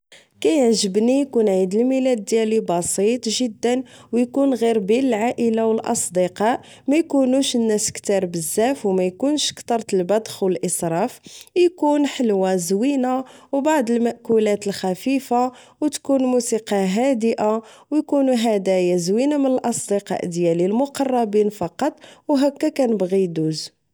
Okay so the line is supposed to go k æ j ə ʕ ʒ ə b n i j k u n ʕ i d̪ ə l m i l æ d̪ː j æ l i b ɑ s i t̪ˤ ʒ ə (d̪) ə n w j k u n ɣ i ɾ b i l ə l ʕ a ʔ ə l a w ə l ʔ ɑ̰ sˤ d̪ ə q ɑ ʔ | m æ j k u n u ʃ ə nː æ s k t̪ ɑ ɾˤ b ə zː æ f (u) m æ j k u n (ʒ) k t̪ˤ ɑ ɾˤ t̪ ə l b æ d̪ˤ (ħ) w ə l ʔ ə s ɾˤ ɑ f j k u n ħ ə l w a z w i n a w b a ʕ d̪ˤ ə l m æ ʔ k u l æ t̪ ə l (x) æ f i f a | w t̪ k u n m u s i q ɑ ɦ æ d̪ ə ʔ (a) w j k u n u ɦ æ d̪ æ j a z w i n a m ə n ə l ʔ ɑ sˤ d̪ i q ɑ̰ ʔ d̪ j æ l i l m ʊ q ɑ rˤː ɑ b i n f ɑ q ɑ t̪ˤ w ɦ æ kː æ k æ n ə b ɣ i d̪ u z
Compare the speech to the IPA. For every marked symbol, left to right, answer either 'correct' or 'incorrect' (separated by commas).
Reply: incorrect, incorrect, incorrect, incorrect, correct, correct